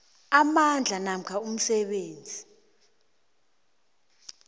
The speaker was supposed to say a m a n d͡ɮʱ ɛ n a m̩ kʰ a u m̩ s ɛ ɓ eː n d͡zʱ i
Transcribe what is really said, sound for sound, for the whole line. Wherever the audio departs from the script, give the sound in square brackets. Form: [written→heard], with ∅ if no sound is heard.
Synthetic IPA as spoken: a m a n d͡ɮʱ [ɛ→a] n a m̩ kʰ a u m̩ s ɛ ɓ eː n d͡zʱ i